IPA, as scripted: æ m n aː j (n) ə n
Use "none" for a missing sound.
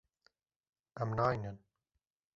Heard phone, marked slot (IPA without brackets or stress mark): n